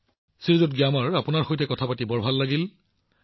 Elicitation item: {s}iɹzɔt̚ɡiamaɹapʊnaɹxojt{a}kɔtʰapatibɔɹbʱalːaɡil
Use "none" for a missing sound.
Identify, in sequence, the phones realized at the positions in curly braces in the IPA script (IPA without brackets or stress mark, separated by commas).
s, ɛ